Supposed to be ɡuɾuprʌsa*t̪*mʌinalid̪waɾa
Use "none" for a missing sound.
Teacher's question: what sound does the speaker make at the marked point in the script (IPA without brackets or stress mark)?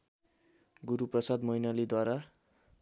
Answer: d̪